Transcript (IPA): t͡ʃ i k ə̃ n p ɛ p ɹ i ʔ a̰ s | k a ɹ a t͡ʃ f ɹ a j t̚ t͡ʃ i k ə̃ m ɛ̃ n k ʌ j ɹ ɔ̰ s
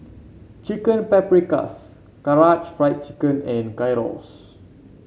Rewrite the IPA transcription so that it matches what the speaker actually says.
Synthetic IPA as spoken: t͡ʃ i k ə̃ n p ɛ p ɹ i k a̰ s | k a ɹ a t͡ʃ f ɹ a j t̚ t͡ʃ i k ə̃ n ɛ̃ n k a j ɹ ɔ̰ s